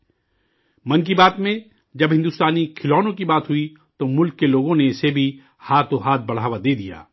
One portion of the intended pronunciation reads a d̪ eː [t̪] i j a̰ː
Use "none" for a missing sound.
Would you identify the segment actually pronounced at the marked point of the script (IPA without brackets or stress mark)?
d̪